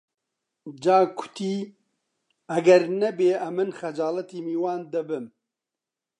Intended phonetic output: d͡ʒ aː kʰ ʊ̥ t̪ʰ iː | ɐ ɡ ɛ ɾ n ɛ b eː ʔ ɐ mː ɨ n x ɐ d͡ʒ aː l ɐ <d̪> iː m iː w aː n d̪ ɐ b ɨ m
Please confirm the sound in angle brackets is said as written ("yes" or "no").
no